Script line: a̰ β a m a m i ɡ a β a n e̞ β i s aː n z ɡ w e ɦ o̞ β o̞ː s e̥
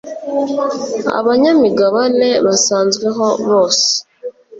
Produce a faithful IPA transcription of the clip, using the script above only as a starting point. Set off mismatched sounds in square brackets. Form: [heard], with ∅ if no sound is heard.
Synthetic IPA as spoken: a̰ β a [ɲ] a m i ɡ a β a n e̞ β [a] s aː n z ɡ w e ɦ o̞ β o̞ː s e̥